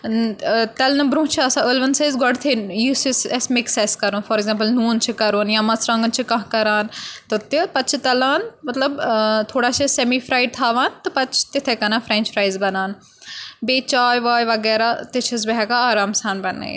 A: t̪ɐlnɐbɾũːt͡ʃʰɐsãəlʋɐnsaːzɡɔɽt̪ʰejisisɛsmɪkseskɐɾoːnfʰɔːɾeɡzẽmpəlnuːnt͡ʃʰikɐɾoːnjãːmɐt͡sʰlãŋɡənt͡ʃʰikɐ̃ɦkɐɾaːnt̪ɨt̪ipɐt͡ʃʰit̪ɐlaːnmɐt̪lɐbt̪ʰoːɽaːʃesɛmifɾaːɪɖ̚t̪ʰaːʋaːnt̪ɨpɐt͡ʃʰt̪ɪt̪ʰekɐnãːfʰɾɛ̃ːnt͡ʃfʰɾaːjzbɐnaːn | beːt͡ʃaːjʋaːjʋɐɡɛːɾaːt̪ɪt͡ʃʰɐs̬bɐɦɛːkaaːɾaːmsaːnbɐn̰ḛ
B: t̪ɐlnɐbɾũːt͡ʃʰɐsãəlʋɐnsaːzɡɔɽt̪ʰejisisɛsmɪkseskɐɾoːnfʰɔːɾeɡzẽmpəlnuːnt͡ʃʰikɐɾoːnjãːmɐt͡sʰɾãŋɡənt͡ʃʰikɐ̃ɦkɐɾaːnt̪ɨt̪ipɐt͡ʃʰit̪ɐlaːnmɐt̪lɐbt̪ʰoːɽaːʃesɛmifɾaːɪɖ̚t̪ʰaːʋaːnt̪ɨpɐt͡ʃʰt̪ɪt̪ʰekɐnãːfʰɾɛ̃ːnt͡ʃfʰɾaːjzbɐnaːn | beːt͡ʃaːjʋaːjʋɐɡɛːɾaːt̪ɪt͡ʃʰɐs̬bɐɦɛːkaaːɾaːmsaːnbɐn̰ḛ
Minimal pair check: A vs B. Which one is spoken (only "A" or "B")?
B